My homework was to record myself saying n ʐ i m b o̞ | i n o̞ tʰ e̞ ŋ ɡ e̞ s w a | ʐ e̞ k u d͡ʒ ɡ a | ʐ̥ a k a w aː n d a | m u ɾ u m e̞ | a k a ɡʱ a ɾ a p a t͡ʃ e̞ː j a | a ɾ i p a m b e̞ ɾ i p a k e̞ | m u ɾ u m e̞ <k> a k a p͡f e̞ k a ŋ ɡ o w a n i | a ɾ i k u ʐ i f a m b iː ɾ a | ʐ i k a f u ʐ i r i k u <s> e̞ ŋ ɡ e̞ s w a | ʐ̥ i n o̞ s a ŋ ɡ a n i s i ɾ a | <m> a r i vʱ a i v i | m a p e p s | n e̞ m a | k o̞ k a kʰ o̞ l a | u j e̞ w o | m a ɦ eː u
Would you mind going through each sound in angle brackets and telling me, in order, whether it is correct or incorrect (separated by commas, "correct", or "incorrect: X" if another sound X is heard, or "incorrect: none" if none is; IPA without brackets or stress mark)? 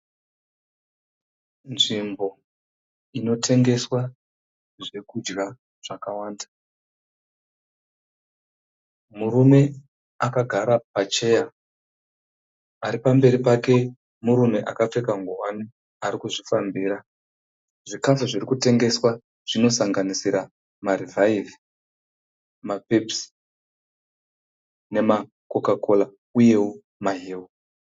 incorrect: ʔ, incorrect: t, correct